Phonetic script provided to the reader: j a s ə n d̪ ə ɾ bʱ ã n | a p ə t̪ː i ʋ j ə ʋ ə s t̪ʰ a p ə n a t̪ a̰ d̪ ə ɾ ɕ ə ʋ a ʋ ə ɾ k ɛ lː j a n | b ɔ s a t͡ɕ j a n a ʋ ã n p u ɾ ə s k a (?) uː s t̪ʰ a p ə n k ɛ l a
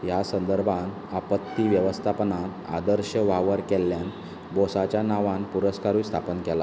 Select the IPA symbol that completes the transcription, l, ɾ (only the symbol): ɾ